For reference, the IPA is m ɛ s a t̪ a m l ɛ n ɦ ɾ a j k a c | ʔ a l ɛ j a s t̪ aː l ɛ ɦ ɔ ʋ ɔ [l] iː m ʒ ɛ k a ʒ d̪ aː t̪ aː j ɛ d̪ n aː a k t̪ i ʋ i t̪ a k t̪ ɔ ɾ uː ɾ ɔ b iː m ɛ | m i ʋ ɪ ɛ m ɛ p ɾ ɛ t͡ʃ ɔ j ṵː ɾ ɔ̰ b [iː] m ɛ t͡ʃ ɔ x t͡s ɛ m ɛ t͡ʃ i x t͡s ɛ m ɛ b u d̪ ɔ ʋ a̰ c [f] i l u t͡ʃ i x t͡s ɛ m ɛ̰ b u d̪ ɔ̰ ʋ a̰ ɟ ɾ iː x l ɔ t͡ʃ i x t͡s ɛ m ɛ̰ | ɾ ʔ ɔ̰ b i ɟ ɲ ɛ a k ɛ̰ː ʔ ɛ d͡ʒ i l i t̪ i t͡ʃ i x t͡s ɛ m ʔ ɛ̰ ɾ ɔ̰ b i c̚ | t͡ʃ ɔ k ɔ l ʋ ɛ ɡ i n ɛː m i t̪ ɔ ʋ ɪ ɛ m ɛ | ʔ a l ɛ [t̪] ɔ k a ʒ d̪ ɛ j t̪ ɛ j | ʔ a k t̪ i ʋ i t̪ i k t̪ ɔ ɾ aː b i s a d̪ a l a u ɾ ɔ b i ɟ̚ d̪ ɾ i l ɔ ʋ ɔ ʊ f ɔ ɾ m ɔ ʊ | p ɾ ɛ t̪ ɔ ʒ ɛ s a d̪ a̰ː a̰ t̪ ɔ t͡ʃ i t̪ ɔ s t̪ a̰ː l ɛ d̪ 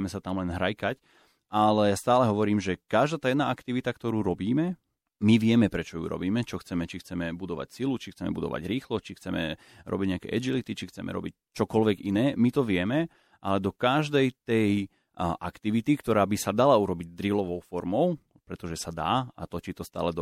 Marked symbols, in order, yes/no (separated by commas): no, yes, no, no